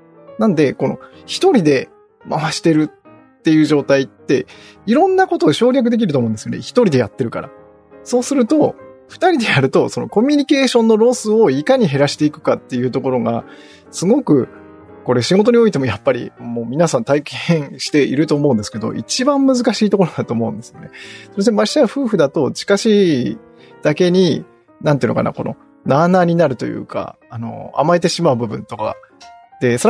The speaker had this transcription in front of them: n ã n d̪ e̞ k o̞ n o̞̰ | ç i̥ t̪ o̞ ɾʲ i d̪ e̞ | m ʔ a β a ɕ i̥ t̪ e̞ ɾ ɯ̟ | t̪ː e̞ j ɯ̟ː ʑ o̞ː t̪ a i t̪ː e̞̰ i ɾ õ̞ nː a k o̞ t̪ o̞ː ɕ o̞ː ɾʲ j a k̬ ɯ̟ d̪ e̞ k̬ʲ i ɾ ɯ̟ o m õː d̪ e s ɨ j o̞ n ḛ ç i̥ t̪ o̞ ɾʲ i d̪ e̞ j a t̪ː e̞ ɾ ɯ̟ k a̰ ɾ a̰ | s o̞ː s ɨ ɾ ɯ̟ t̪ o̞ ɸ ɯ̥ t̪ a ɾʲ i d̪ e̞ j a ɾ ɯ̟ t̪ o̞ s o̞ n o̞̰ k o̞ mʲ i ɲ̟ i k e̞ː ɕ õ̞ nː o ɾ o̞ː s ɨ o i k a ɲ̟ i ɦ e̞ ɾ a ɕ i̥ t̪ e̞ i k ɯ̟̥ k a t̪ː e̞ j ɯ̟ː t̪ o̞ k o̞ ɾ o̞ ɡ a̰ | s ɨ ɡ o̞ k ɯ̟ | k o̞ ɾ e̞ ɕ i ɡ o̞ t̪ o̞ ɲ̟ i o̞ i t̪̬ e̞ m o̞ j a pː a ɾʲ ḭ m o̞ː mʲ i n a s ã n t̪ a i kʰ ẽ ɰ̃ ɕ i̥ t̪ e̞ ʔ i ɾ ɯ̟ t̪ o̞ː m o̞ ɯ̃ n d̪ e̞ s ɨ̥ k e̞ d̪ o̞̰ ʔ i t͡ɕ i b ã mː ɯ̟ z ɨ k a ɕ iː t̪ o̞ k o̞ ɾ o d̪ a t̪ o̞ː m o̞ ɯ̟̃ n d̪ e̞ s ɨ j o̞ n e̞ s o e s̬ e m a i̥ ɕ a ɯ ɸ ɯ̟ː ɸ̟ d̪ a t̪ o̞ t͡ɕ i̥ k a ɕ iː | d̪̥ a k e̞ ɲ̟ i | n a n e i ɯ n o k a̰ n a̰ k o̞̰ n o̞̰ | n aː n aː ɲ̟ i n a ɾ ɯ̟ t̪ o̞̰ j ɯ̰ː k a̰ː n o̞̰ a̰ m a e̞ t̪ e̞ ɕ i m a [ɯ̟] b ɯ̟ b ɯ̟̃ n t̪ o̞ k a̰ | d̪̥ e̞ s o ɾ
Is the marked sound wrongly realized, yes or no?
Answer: no